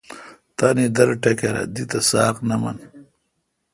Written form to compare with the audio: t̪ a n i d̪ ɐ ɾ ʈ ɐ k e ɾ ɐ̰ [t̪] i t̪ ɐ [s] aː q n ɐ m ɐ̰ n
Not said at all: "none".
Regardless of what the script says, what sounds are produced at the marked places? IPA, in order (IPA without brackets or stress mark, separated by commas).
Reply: d̪, s